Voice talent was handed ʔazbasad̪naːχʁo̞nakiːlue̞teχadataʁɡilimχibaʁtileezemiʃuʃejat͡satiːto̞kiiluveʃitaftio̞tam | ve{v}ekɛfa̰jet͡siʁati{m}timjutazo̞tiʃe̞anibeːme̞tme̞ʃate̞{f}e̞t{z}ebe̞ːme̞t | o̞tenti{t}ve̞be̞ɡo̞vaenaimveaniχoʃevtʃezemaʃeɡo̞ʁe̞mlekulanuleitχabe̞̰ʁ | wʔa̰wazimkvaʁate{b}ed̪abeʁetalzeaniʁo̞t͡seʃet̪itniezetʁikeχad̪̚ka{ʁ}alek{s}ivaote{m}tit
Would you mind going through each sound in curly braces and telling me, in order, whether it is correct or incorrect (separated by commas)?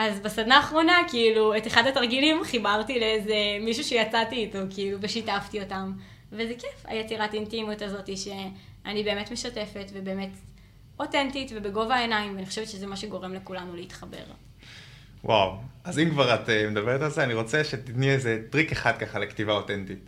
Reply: incorrect, incorrect, correct, incorrect, correct, incorrect, incorrect, incorrect, incorrect